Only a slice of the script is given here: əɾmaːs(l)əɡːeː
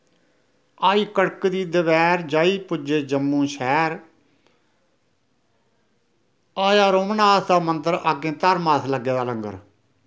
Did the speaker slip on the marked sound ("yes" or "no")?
no